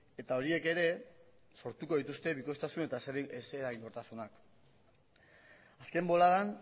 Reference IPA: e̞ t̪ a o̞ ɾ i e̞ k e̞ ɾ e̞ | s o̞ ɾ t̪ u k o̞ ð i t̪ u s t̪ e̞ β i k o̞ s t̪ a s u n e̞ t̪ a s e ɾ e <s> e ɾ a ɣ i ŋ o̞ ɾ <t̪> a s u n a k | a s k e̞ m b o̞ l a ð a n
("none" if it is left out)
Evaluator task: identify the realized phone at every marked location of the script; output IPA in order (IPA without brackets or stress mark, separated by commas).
s, t̪